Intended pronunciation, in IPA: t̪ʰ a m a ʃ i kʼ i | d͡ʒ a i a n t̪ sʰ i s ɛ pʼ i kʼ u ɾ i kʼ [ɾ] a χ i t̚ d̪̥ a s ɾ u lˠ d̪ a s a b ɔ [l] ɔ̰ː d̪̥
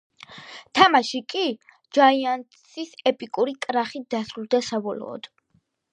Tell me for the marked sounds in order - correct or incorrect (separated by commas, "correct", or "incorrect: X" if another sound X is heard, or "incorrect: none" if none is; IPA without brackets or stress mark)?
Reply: correct, correct